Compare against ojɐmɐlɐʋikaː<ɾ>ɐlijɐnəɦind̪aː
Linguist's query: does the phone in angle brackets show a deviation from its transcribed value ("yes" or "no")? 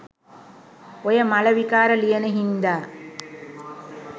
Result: no